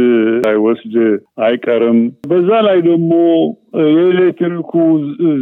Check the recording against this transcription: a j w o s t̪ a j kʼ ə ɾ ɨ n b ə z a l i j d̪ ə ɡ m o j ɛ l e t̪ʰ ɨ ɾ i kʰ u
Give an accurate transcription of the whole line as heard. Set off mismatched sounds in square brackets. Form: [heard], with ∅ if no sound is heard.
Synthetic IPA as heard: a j w [ɔ] s [d̪] a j kʼ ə ɾ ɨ [m] b ə [zː] a l [a] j d̪ ə ɡ m o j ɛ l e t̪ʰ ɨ ɾ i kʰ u